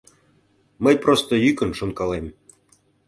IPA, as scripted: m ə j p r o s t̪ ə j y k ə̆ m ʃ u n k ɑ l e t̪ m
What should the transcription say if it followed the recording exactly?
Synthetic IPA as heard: m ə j p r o s t̪ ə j y k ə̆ n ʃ o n k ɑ l e m